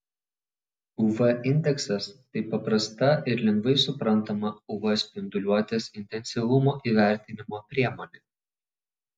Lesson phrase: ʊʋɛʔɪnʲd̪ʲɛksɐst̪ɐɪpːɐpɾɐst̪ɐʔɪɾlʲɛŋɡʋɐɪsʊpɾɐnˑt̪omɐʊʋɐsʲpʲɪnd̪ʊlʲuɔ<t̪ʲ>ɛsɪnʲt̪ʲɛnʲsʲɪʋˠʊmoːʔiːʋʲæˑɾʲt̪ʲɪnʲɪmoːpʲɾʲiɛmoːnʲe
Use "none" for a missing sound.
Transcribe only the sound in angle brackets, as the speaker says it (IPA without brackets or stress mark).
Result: t̪ʲ